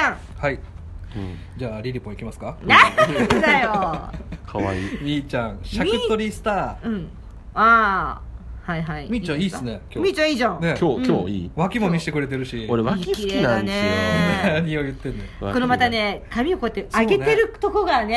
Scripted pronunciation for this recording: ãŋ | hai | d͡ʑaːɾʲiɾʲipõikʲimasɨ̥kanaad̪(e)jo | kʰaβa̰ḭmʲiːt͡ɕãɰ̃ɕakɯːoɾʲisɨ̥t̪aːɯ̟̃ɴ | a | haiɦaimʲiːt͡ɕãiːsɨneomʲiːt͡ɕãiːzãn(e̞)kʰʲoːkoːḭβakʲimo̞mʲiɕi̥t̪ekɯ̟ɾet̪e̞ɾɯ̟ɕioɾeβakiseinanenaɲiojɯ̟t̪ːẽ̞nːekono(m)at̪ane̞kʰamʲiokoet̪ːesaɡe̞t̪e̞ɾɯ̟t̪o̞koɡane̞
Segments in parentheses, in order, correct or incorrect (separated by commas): incorrect, correct, correct